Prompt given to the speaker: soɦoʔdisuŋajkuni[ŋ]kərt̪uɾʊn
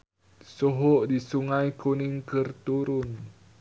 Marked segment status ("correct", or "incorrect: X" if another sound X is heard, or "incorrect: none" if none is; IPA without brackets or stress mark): correct